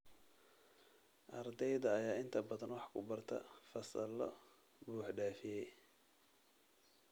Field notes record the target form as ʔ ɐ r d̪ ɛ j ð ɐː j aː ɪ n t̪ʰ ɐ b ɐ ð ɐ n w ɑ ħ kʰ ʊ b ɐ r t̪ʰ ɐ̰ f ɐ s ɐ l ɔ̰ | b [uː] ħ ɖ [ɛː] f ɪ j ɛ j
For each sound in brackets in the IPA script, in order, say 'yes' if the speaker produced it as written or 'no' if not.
yes, no

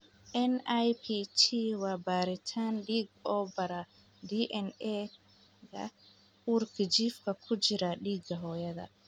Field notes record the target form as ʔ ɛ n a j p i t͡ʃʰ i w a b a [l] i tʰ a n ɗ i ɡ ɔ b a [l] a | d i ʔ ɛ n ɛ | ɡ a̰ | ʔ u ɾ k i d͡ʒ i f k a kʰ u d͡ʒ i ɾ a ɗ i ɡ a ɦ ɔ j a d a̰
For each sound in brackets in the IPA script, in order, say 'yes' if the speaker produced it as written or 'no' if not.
no, no

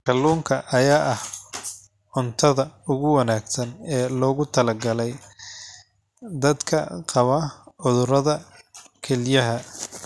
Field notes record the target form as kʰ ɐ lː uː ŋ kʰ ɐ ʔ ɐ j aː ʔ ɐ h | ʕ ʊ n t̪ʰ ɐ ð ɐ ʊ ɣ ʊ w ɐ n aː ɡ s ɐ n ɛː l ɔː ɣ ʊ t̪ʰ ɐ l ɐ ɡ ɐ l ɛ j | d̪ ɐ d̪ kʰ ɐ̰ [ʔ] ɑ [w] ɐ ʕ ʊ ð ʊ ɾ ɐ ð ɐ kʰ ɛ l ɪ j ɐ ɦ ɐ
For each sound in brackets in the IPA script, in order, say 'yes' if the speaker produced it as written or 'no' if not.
no, no

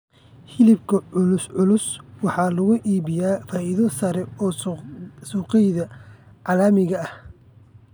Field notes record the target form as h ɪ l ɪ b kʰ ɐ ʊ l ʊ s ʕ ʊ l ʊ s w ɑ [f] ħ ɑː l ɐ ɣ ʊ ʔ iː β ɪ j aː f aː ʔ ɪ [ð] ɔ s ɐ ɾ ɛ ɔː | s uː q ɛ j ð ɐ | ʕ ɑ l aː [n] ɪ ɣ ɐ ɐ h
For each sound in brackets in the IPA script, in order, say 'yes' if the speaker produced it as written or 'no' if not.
no, yes, no

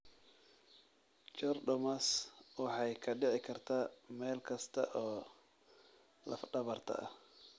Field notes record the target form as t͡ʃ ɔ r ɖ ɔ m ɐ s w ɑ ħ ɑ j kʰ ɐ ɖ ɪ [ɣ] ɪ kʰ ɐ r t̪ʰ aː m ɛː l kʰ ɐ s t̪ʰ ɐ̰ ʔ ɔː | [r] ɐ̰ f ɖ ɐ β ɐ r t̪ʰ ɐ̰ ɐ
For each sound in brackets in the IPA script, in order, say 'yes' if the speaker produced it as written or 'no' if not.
no, no

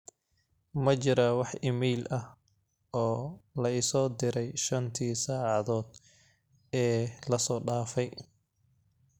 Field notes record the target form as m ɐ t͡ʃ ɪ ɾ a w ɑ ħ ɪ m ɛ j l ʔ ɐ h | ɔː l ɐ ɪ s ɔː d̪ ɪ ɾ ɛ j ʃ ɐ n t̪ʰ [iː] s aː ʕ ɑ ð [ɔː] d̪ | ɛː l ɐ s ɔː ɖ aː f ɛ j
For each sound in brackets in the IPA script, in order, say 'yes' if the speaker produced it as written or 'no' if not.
yes, yes

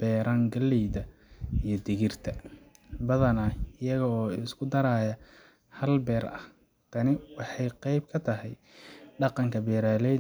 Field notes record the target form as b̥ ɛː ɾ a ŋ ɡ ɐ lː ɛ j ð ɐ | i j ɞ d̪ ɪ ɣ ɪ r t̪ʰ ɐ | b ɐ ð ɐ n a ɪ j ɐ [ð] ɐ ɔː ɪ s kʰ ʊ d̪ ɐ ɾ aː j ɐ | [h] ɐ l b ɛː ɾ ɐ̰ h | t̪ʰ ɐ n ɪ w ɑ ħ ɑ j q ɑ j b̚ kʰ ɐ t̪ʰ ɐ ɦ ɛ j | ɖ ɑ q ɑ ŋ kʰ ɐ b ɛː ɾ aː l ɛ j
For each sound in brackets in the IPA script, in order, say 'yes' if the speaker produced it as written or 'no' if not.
no, yes

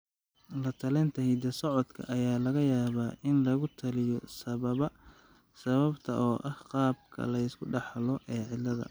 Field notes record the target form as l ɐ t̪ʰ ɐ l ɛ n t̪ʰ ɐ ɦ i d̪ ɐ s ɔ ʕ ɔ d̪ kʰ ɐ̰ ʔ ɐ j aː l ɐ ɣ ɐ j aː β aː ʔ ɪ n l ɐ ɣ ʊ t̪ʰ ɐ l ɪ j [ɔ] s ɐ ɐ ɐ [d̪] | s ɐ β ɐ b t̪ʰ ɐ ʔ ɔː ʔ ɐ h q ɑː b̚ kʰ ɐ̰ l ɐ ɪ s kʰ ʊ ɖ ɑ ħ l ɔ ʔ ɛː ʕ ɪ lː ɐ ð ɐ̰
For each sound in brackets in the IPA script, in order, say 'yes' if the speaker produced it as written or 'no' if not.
yes, no

